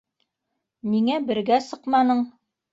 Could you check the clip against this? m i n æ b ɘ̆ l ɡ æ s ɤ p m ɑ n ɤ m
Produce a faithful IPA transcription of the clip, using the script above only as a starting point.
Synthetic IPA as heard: m i ŋ æ b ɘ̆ ɾ ɡ æ s ɤ q m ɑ n ɤ ɴ